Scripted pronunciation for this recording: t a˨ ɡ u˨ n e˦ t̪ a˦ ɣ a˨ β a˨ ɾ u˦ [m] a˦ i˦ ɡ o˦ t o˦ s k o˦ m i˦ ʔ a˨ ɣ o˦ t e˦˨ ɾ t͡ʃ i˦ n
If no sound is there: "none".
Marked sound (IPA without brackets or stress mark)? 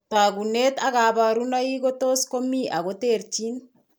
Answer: n